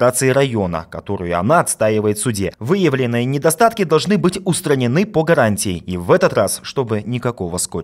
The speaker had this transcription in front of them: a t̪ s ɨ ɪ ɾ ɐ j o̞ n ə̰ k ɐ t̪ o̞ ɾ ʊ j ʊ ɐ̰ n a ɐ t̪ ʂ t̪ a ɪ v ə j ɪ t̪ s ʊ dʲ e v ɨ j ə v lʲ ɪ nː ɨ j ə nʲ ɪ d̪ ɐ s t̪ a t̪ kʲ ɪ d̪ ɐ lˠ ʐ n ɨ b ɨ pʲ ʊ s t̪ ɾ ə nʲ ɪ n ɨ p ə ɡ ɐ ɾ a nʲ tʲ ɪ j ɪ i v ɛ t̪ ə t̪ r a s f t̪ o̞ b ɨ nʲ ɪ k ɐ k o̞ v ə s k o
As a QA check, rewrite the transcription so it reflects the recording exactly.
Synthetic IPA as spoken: a t̪ s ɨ ɪ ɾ ɐ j o̞ n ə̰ k ɐ t̪ o̞ ɾ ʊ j ʊ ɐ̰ n a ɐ t̪ s t̪ a ɪ v ə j ɪ t̪ s ʊ dʲ e v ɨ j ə v lʲ ɪ nː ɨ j ə nʲ ɪ d̪ ɐ s t̪ a t̪ kʲ ɪ d̪ ɐ lˠ ʐ n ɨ b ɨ tʲ ʊ s t̪ ɾ ə nʲ ɪ n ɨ p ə ɡ ɐ ɾ a nʲ tʲ ɪ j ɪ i v ɛ t̪ ə t̪ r a s ʂ t̪ o̞ b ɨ nʲ ɪ k ɐ k o̞ v ə s k o